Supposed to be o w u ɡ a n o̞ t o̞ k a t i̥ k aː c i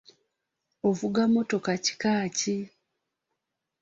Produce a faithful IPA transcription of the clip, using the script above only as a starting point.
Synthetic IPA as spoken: o v u ɡ a m o̞ t o̞ k a c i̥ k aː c i

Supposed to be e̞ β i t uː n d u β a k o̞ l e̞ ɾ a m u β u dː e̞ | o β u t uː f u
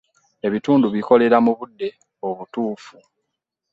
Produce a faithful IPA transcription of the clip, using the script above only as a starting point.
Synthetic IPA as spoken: e̞ β i t uː n d u β i k o̞ l e̞ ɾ a m u β u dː e̞ | o β u t uː f u

